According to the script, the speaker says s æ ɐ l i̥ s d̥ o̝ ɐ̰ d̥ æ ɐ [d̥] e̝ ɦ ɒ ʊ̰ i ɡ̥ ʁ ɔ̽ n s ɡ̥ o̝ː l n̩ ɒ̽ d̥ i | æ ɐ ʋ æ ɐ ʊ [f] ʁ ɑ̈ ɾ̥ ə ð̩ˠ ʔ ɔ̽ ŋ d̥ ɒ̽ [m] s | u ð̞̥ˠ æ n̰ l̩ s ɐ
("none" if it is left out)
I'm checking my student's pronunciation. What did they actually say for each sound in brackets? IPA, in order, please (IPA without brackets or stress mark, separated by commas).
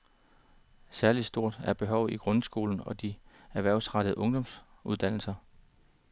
b̥, s, m